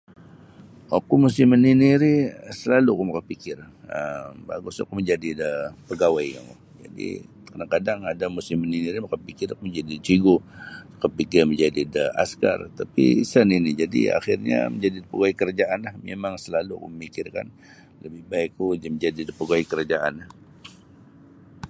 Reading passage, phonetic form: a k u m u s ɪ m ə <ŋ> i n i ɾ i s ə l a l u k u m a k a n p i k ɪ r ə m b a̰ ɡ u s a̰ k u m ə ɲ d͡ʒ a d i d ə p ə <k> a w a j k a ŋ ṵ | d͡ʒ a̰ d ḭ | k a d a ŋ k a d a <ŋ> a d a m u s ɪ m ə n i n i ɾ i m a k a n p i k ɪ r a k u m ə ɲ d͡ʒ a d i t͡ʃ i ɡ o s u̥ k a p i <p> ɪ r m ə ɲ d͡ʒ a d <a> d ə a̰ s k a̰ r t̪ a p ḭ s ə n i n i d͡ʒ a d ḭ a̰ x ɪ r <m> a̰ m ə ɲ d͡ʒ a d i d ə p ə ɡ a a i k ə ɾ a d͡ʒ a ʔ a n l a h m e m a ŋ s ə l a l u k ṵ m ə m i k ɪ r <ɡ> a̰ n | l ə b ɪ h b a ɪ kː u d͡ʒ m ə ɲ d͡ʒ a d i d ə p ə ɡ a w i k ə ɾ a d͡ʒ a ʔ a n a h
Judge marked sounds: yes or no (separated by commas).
no, no, yes, no, no, no, no